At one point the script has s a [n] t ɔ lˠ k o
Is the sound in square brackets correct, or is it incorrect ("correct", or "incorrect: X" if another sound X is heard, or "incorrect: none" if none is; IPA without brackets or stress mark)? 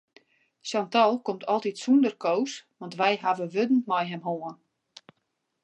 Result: correct